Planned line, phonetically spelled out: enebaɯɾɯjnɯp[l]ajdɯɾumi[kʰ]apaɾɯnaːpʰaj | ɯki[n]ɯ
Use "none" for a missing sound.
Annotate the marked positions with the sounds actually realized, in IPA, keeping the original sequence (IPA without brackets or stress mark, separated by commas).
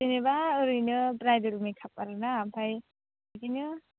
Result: ɾ, kʰ, n